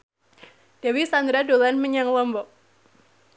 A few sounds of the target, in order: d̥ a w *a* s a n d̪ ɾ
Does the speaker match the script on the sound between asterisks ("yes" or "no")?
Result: no